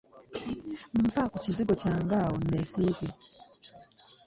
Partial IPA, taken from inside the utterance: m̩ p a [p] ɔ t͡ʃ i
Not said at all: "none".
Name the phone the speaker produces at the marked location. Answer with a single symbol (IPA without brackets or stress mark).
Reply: k